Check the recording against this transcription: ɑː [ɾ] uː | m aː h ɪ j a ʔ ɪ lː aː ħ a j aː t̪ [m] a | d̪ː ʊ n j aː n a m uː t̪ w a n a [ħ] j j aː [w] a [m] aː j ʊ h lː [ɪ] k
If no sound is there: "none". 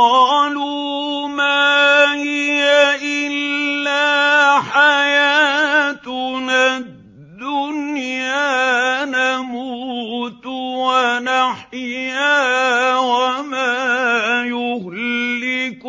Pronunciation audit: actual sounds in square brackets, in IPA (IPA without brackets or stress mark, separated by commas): l, n, ħ, w, m, ɪ